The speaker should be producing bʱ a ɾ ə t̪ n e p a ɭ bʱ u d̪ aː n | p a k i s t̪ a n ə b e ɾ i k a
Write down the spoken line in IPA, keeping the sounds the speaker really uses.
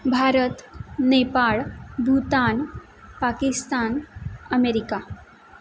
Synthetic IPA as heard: bʱ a ɾ ə t̪ n e p a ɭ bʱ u t̪ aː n | p a k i s t̪ a n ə m e ɾ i k a